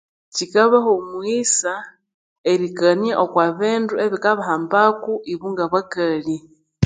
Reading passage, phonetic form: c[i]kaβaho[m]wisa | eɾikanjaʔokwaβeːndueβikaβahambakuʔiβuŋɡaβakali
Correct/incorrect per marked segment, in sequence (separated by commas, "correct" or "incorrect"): correct, correct